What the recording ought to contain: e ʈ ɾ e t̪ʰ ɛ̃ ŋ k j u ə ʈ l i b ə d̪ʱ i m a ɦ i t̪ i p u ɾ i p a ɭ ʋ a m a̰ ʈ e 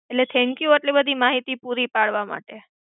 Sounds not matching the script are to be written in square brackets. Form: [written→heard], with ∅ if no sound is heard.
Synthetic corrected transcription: e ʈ [ɾ→l] e t̪ʰ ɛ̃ ŋ k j u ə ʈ l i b ə d̪ʱ i m a ɦ i t̪ i p u ɾ i p a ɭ ʋ a m a̰ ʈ e